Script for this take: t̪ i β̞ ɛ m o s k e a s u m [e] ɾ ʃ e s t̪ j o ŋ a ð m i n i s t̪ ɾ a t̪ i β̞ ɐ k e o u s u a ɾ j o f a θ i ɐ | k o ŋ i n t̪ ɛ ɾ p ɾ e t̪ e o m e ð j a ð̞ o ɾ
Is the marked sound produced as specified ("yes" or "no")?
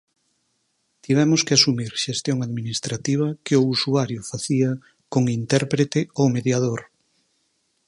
no